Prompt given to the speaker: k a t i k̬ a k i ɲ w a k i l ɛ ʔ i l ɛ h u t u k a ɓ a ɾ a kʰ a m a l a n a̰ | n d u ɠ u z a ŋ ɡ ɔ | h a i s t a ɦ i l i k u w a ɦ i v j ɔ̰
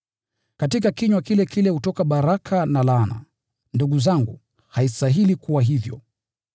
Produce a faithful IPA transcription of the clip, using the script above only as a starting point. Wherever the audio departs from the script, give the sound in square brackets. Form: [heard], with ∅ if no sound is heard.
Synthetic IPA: k a t i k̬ a k i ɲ w a k i l ɛ [k] i l ɛ h u t [ɔ] k a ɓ a ɾ a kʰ a [n] a l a n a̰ | n d u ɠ u z a ŋ ɡ [u] | h a i s t a ɦ i l i k u w a ɦ i v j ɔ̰